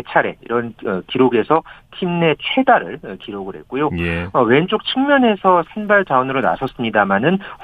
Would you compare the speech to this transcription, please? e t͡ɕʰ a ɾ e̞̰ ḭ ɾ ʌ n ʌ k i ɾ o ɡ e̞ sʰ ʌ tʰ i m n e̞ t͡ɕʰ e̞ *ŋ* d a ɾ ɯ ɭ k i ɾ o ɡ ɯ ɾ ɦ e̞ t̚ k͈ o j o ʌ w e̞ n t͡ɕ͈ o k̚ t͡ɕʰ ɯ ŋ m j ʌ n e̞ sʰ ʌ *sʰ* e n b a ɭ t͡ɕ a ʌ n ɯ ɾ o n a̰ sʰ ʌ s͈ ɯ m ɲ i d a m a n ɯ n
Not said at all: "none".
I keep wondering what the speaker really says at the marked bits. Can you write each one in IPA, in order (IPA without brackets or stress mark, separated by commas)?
none, sʰ